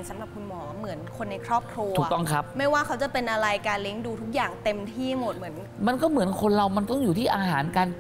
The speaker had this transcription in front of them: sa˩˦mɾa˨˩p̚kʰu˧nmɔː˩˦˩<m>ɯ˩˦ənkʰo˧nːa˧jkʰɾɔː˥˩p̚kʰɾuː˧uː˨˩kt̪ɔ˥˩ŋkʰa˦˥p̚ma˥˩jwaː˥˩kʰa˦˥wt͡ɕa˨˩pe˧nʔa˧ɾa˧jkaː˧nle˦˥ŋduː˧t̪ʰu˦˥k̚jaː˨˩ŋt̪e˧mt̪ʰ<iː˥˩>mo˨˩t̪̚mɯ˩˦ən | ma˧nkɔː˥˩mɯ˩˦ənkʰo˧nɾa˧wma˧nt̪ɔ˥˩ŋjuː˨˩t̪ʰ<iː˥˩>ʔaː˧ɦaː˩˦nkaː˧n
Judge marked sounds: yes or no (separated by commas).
yes, yes, yes